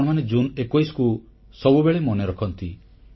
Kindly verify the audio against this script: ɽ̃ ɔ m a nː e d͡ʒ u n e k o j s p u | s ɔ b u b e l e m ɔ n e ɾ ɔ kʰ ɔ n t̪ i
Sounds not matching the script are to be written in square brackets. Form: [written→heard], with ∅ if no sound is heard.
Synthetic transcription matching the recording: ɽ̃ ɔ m a [nː→n] e d͡ʒ u n e k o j s [p→k] u | s ɔ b u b e [l→ɭ] e m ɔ n e ɾ ɔ kʰ ɔ n t̪ i